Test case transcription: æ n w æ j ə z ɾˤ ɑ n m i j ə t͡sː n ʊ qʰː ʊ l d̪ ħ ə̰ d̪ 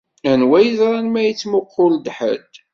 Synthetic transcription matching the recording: æ n w æ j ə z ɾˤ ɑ n m æ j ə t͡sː m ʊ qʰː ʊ l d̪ ħ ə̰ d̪